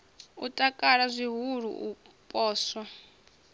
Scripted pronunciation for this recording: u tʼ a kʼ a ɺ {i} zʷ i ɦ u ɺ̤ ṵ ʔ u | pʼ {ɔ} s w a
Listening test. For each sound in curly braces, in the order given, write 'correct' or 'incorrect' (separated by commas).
incorrect, incorrect